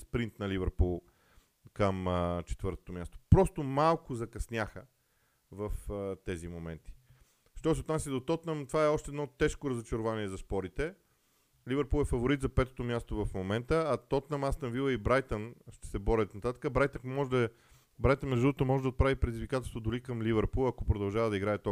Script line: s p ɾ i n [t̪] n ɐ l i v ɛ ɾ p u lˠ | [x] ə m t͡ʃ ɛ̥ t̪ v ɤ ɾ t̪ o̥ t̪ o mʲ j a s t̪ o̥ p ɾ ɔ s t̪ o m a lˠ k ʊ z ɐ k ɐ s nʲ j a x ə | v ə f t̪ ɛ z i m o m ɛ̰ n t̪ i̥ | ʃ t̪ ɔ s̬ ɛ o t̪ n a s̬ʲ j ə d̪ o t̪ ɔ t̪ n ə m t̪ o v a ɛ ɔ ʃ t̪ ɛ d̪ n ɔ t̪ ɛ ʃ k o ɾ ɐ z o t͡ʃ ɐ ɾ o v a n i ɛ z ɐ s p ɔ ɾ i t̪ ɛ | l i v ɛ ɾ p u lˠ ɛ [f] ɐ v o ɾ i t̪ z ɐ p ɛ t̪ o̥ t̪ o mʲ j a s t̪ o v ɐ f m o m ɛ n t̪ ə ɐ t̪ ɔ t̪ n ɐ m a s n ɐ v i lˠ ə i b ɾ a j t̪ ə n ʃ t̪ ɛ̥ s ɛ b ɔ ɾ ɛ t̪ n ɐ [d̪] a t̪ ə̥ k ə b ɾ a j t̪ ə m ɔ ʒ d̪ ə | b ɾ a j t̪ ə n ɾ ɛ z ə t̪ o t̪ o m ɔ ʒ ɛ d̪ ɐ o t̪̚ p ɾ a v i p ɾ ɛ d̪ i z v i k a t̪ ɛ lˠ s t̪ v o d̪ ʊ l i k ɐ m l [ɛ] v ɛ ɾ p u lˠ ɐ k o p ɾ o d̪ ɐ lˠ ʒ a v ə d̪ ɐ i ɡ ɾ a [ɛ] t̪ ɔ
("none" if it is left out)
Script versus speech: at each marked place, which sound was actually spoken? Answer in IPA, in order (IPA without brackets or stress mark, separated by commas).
t̪, k, f, t̪, i, ɛ